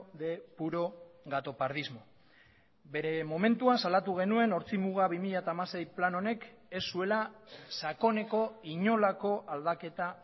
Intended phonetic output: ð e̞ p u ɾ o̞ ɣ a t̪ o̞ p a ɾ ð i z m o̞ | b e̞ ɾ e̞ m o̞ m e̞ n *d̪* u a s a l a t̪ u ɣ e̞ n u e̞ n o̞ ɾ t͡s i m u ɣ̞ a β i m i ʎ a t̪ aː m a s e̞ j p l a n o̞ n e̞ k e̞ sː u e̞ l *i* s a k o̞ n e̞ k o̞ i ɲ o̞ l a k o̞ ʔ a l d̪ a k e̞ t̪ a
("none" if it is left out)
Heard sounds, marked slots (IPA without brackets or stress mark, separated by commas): t̪, a